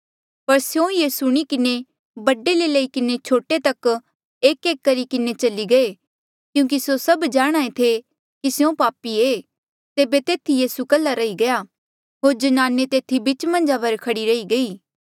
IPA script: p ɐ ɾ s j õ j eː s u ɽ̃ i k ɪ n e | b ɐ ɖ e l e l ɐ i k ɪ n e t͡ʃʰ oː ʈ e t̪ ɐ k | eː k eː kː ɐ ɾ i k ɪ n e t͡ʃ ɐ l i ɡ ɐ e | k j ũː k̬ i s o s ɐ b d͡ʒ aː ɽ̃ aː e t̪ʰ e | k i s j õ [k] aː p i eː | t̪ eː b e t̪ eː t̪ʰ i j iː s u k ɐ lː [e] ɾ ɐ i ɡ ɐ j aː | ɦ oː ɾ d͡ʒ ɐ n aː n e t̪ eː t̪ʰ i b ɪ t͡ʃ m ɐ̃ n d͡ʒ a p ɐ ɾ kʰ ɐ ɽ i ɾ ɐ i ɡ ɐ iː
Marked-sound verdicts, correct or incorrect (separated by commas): incorrect, incorrect